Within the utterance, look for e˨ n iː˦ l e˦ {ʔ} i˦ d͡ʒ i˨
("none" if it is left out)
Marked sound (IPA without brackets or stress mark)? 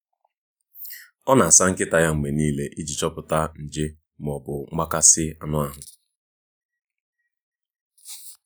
ʔ